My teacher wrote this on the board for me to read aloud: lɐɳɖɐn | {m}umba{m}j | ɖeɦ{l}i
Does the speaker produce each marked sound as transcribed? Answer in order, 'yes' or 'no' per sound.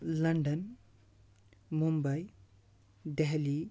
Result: yes, no, yes

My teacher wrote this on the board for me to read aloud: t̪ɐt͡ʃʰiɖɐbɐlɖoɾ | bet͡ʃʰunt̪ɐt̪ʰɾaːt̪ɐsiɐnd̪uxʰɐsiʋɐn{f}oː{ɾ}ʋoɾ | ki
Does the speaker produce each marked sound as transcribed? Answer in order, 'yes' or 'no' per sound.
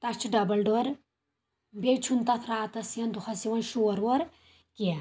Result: no, yes

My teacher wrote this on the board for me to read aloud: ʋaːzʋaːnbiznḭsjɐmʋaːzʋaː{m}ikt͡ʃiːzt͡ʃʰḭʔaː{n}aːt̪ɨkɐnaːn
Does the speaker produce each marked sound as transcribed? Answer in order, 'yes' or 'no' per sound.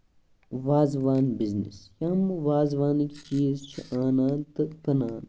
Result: no, yes

